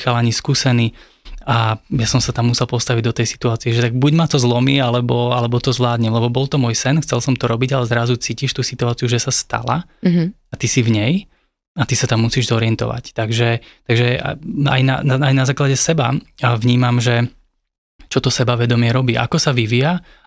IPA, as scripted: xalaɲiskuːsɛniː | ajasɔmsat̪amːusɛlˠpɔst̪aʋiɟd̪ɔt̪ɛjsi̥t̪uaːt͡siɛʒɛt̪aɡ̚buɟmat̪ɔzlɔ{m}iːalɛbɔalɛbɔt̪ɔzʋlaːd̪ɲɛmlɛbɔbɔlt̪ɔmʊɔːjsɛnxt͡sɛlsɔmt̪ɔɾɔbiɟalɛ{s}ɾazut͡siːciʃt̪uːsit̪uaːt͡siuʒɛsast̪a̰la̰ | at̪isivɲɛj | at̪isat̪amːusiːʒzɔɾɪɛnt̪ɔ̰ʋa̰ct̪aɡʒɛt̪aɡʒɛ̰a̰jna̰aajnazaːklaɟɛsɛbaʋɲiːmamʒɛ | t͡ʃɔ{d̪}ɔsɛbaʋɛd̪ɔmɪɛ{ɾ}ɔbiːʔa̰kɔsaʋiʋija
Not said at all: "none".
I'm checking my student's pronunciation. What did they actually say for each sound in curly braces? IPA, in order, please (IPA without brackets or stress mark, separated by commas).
m, z, t̪, ɾ